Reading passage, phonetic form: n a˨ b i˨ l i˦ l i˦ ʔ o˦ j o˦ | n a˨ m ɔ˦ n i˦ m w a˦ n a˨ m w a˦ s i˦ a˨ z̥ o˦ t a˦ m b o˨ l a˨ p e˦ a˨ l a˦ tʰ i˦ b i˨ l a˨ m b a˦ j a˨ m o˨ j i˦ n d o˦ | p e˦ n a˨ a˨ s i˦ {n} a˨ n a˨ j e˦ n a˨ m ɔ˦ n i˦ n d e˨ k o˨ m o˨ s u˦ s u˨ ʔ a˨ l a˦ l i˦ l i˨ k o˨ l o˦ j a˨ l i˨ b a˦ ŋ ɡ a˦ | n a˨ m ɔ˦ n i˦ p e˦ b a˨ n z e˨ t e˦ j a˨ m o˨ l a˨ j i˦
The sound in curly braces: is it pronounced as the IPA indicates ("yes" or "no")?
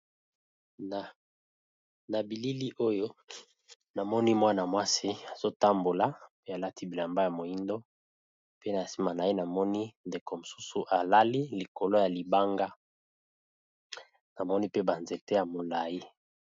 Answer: no